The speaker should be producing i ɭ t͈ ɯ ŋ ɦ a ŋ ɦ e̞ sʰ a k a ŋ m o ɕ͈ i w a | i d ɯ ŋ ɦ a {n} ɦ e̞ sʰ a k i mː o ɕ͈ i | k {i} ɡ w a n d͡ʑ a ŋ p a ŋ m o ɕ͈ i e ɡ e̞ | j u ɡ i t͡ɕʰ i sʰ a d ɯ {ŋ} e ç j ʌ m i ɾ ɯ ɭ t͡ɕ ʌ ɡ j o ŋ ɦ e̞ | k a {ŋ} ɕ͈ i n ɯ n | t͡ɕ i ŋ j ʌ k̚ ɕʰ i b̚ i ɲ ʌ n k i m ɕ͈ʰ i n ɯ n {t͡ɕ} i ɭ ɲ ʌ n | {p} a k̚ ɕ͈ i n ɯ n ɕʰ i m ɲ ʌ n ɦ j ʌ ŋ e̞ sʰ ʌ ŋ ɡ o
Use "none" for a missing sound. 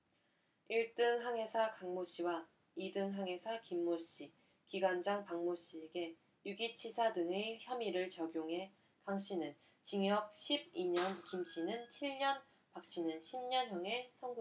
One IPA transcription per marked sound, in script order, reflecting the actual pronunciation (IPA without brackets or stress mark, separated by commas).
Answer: ŋ, i, ŋ, ŋ, t͡ɕʰ, p